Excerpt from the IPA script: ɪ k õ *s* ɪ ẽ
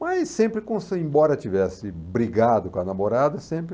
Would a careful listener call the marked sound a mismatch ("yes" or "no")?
no